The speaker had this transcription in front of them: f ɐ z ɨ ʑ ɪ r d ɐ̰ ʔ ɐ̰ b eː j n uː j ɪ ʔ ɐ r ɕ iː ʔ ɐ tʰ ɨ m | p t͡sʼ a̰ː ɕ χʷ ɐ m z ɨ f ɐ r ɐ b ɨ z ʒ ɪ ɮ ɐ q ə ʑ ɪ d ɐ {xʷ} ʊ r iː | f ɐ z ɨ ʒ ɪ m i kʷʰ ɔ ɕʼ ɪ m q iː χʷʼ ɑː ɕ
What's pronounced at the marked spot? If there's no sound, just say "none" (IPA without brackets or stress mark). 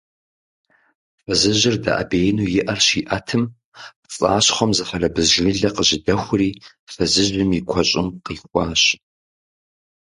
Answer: xʷ